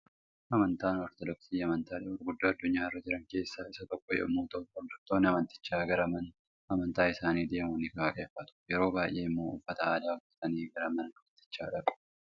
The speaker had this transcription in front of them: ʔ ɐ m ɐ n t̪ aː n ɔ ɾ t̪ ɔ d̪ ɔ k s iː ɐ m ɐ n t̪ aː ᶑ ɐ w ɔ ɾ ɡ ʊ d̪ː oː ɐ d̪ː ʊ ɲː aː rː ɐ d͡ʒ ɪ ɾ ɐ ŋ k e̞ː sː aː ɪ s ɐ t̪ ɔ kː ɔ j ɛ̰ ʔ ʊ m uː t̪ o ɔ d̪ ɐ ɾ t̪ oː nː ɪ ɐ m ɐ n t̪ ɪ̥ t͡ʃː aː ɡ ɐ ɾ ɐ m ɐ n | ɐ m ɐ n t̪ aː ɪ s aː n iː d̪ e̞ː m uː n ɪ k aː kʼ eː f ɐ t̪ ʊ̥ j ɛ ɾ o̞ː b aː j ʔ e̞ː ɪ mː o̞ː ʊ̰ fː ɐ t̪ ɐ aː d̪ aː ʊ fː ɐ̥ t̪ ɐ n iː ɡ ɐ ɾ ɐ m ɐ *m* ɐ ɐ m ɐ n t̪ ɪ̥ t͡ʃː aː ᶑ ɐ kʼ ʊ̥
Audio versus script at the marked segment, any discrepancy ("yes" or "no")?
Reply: yes